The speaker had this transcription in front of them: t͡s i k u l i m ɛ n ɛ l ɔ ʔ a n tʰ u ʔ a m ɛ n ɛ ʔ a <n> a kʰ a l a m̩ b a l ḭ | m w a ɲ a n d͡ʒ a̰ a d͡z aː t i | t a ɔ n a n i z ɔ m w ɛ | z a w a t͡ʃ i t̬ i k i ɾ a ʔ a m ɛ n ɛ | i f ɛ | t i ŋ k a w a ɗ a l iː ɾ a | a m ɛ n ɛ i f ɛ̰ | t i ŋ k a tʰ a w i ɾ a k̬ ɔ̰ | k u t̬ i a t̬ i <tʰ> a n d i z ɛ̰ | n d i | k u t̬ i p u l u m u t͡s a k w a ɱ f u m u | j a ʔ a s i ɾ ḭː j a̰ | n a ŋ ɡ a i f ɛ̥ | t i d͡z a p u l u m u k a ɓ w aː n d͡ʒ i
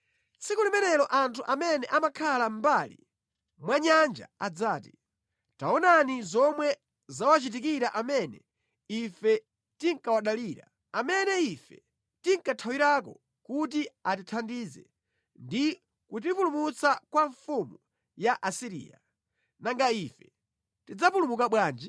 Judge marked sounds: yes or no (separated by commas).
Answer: no, yes